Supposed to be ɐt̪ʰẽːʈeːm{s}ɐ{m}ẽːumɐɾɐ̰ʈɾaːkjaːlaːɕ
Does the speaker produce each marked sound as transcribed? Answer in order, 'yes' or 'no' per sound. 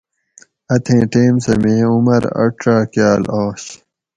yes, yes

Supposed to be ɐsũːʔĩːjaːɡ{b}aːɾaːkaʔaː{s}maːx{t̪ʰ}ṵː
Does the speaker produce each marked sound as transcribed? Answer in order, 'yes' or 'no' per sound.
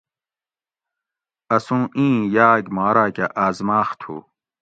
no, no, yes

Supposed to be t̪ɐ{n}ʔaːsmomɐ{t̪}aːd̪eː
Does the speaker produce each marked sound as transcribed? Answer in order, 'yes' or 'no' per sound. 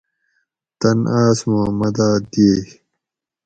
yes, no

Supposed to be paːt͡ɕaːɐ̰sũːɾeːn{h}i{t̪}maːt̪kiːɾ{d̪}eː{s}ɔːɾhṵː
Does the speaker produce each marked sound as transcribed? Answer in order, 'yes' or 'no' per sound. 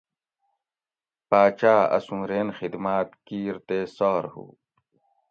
no, no, no, yes

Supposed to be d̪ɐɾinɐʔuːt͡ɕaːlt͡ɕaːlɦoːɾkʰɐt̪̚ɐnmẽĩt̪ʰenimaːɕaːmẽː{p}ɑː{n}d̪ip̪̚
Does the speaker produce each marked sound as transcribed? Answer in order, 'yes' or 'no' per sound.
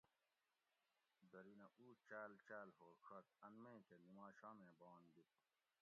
no, yes

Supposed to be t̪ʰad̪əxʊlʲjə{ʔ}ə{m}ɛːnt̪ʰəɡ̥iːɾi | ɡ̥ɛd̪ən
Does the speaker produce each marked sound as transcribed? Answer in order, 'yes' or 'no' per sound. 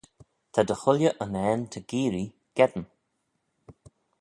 yes, no

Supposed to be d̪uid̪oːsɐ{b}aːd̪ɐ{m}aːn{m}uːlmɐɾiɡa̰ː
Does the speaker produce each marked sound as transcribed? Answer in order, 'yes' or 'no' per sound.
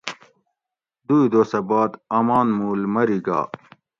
yes, yes, yes

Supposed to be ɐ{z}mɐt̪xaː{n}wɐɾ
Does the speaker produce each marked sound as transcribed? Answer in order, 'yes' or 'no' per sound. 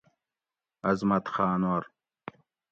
yes, yes

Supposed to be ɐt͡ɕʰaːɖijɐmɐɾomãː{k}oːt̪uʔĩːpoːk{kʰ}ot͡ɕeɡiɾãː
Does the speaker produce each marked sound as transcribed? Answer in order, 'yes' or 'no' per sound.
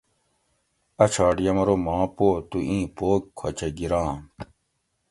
no, yes

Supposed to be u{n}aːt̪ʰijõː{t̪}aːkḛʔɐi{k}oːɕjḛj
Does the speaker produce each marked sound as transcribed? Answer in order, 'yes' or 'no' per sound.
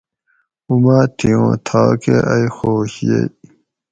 no, no, no

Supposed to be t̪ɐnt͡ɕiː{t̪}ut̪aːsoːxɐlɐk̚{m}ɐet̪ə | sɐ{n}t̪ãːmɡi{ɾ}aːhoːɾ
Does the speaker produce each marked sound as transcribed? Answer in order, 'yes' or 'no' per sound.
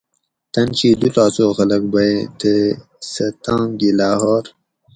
no, no, no, no

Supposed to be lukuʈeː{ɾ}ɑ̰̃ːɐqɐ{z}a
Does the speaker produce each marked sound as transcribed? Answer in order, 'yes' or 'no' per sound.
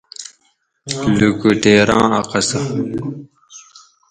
yes, no

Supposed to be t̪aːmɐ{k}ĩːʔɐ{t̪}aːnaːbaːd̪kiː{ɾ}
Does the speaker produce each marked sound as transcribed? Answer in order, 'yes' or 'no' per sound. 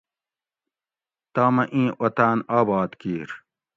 no, yes, yes

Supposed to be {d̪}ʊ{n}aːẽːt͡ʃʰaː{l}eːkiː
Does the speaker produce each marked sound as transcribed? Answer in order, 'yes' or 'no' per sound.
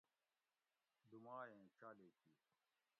yes, no, yes

